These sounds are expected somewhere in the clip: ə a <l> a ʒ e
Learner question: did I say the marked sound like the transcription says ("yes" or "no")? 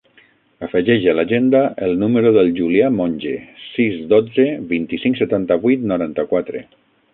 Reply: yes